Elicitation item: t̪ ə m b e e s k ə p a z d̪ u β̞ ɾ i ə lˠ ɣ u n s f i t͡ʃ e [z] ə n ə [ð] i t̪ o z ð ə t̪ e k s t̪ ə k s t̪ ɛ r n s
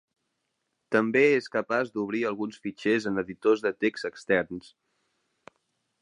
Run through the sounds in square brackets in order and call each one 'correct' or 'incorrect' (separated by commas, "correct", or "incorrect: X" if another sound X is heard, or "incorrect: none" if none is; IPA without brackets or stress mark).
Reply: correct, correct